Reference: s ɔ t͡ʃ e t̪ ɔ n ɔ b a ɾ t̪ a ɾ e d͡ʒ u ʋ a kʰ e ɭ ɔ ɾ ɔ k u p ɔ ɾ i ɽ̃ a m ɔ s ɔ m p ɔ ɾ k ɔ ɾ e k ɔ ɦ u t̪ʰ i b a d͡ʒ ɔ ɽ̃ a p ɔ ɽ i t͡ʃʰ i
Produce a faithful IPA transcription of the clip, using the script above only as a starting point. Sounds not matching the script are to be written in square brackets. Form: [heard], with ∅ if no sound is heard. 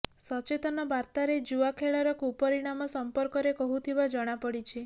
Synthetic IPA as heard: s ɔ t͡ʃ e t̪ ɔ n ɔ b a ɾ t̪ a ɾ e d͡ʒ u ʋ a kʰ e ɭ ɔ ɾ ɔ k u p ɔ ɾ i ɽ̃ a m ɔ s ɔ m p ɔ ɾ k ɔ ɾ e k ɔ ɦ u t̪ʰ i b a d͡ʒ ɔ ɽ̃ a p ɔ ɽ i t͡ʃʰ i